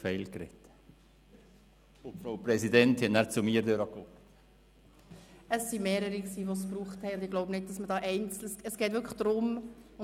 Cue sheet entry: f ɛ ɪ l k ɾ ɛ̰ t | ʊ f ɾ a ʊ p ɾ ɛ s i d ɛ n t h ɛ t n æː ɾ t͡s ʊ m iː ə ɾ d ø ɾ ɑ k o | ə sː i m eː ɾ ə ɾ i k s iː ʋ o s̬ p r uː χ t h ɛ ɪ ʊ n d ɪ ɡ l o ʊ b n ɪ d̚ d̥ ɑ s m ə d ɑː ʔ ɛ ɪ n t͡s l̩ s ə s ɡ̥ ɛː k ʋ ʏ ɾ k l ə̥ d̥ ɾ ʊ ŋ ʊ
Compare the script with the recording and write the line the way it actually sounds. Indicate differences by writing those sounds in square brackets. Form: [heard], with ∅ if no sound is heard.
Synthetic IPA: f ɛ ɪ l k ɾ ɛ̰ t | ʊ f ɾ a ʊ p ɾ ɛ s i d ɛ n t h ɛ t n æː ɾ t͡s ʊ m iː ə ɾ d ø ɾ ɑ k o | ə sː i m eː ɾ ə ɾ i k s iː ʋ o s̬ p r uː χ t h ɛ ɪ ʊ n d ɪ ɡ l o ʊ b n ɪ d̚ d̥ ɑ s m ə d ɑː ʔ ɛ ɪ n t͡s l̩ s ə s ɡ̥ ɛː [t] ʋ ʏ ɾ k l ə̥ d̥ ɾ ʊ [m] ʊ